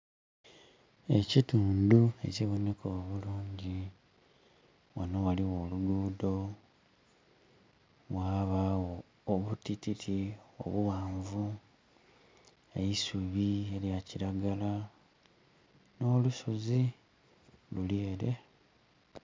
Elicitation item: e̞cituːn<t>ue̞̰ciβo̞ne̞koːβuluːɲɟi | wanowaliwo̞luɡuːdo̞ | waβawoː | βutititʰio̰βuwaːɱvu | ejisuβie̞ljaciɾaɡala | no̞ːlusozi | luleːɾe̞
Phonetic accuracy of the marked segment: incorrect: d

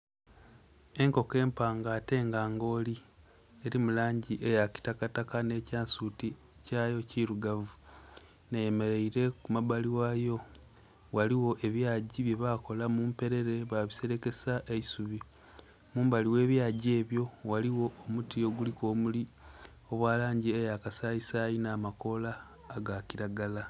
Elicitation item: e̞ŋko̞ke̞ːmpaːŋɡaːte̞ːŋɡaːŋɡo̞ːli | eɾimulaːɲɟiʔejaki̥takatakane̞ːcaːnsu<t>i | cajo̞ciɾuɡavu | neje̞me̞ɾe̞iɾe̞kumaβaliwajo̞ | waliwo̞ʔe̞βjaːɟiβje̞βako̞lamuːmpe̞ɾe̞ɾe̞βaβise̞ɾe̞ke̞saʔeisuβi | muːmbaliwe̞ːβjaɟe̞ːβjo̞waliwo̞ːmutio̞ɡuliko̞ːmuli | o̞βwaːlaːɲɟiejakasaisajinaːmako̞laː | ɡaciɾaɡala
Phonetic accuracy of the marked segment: correct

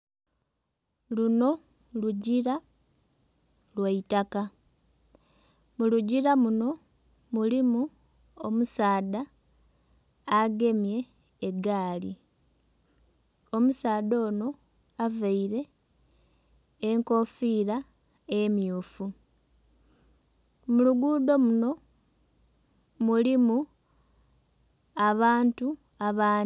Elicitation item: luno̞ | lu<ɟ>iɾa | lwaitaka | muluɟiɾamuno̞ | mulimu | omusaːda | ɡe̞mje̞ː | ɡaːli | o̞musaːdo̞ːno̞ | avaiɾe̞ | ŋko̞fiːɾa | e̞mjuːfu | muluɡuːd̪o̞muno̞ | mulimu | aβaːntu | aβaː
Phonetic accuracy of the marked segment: correct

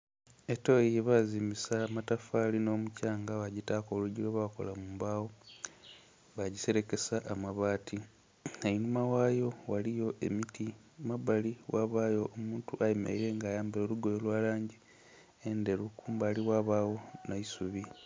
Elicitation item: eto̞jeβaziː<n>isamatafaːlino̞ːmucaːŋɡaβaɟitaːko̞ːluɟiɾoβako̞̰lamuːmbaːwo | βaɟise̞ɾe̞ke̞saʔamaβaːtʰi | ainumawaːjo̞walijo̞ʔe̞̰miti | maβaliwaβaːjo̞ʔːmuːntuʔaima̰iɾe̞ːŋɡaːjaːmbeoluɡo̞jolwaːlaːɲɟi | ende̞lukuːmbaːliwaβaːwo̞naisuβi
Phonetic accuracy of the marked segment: incorrect: m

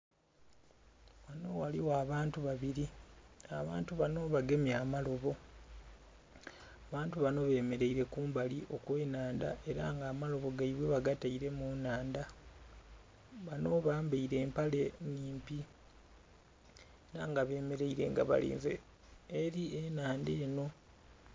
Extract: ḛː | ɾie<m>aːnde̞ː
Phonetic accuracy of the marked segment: incorrect: n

